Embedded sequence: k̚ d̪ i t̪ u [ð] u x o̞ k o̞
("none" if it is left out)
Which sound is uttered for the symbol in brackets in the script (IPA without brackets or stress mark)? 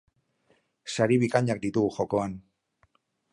ɣ